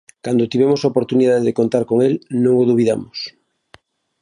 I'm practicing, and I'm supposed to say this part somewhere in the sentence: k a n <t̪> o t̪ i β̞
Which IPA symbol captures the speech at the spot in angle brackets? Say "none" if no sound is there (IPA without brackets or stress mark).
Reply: d̪